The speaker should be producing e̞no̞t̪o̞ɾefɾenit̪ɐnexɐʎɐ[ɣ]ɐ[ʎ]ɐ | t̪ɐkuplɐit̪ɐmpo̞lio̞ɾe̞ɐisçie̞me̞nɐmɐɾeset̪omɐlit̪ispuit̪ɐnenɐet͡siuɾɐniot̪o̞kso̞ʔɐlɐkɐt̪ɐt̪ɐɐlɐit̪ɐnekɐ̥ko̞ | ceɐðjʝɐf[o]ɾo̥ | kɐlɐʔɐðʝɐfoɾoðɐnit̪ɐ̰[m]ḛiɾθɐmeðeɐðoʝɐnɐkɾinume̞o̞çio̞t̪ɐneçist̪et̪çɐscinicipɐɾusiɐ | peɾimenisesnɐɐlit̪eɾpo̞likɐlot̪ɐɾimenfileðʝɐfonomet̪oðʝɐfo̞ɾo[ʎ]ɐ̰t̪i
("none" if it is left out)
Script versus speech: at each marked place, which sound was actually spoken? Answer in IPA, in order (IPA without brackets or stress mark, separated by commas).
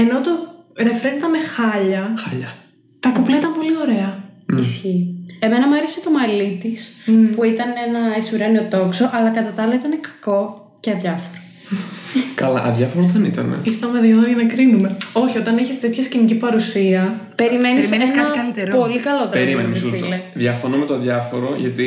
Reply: x, ʎ, o, n, ʝ